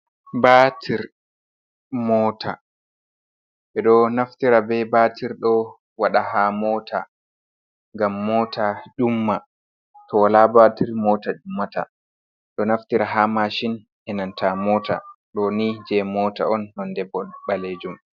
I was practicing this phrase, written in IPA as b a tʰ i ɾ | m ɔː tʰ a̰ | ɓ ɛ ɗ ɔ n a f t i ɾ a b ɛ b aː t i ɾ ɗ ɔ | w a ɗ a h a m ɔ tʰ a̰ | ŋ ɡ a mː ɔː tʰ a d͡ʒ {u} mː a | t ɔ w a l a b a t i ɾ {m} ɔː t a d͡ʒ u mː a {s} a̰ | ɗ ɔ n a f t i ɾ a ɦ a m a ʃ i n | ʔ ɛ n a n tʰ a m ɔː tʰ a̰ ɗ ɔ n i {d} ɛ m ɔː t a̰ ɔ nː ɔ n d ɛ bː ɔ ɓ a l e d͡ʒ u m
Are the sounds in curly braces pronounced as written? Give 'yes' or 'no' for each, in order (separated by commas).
yes, yes, no, no